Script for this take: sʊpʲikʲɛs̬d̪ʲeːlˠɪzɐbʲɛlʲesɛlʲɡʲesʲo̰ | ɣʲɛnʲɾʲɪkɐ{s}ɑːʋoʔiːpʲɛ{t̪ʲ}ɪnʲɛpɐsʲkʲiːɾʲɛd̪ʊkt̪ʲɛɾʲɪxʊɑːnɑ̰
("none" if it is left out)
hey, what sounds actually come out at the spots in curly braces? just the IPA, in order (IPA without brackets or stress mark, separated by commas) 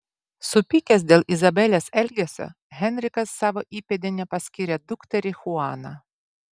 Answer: sː, d̪ʲ